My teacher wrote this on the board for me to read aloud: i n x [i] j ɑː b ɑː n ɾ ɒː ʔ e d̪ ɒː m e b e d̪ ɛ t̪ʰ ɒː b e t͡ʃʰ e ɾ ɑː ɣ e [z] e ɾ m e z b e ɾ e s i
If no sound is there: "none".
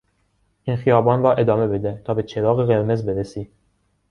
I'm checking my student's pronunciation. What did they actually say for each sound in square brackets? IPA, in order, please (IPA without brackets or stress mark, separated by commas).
i, ɣ